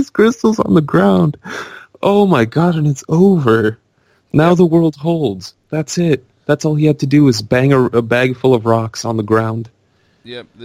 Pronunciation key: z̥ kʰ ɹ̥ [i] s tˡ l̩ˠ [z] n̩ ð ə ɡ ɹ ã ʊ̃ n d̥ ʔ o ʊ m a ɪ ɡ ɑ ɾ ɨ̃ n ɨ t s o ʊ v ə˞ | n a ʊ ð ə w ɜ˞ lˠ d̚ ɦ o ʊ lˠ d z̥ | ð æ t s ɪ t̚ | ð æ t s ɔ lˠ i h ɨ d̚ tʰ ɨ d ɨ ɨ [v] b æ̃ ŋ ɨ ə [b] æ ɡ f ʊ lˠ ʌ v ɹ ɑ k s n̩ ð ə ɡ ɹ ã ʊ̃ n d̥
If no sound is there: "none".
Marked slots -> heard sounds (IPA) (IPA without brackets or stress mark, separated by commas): ɪ, z, z, b